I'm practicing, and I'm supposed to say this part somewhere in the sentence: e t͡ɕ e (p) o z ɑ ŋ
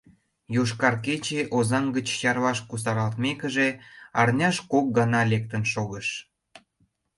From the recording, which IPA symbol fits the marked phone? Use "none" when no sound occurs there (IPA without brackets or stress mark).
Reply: ʔ